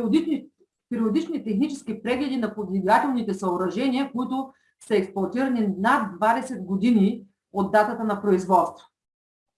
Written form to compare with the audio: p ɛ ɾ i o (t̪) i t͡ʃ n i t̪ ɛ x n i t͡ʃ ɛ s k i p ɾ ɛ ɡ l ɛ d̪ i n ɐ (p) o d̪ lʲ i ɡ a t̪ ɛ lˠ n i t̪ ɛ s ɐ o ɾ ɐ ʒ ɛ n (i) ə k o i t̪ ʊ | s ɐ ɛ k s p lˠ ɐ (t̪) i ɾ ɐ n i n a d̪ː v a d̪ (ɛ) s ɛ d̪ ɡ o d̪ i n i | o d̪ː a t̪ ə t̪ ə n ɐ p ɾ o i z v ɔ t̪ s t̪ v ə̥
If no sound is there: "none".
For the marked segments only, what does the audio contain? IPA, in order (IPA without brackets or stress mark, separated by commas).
d̪, p, i, t̪, ɛ